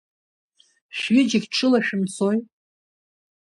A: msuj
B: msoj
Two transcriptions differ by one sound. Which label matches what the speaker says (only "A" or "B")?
B